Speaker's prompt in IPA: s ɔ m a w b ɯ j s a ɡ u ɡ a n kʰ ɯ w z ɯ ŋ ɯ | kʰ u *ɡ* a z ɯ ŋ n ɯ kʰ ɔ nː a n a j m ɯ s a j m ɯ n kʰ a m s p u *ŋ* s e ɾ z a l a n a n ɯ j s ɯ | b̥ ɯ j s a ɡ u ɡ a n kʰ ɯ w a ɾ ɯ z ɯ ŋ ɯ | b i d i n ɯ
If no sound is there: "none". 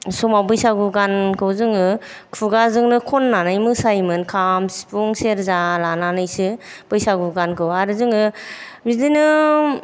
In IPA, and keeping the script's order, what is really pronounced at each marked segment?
ɡ, ŋ

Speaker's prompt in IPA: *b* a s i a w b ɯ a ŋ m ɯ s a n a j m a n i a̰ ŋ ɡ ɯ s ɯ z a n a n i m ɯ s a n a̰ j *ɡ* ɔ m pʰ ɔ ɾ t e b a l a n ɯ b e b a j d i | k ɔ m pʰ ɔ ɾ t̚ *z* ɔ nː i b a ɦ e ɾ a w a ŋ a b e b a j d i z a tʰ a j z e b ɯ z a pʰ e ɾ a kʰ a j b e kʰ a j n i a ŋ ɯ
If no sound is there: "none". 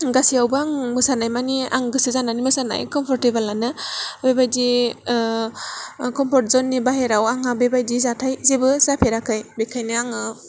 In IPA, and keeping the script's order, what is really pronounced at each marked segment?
ɡ, k, z

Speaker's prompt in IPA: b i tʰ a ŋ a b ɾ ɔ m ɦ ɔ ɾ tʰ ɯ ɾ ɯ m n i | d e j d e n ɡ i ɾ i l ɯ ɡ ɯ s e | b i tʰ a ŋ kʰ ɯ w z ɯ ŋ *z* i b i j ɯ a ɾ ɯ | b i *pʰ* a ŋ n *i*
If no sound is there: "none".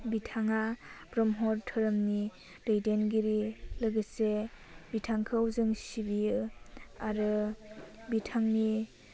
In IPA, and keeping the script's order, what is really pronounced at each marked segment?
s, tʰ, i

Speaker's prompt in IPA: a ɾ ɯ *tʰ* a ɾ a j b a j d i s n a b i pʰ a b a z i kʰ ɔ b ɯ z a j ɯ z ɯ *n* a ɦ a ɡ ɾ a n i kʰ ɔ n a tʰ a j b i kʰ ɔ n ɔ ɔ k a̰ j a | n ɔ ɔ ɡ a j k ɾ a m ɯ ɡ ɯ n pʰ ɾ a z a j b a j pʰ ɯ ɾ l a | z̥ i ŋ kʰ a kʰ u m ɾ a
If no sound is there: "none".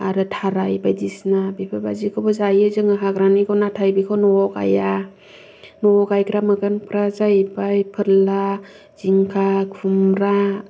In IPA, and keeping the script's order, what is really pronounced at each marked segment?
tʰ, ŋ

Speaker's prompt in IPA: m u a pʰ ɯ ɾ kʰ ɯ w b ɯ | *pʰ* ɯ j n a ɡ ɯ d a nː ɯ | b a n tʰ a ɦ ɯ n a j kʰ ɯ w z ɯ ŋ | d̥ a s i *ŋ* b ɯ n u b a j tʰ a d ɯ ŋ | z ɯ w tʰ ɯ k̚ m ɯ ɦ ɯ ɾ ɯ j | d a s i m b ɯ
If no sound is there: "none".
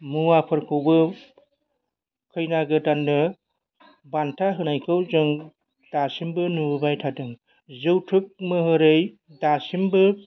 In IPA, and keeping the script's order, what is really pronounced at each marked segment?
kʰ, m

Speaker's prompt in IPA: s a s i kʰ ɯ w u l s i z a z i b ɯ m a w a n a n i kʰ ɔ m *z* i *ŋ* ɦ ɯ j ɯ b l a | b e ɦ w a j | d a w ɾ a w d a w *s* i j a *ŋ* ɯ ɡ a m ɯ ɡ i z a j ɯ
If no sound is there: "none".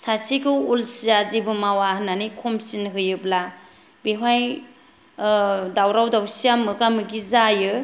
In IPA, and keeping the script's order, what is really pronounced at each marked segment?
s, n, s, m

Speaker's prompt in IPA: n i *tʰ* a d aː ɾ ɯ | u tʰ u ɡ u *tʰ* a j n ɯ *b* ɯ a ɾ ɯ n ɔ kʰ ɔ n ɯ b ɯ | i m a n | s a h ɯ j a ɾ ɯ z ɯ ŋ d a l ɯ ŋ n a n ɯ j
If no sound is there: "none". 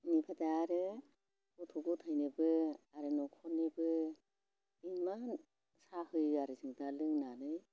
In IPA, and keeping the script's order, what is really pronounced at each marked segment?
pʰ, tʰ, b

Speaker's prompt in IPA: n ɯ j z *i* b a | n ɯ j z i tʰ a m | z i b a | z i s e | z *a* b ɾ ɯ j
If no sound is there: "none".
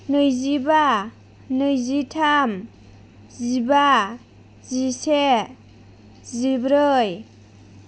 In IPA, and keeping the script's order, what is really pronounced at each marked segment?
i, i

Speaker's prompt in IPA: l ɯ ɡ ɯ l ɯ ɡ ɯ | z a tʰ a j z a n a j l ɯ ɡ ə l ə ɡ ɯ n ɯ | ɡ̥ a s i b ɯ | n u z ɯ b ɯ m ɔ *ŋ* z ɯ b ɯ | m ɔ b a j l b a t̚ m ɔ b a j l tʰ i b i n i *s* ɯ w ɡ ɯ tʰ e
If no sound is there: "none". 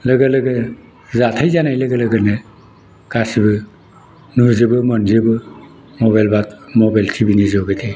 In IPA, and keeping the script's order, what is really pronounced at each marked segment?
n, z

